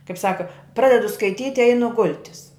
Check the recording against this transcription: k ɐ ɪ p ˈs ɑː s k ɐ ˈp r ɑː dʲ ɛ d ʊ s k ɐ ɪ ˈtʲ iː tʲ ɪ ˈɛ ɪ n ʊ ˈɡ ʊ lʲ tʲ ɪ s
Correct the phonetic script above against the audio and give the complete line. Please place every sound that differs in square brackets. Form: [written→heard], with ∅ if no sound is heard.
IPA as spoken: k ɐ ɪ p ˈs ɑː [s→∅] k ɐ ˈp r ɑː dʲ ɛ d ʊ s k ɐ ɪ ˈtʲ iː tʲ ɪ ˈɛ ɪ n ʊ ˈɡ ʊ lʲ tʲ ɪ s